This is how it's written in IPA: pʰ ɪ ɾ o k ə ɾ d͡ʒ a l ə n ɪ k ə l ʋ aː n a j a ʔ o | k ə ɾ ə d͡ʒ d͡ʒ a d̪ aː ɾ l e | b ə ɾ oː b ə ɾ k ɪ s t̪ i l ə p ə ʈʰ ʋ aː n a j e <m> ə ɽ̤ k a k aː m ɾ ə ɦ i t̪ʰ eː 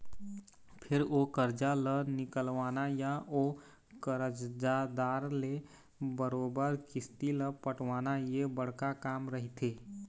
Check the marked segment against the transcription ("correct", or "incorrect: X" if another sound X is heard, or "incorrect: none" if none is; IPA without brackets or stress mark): incorrect: b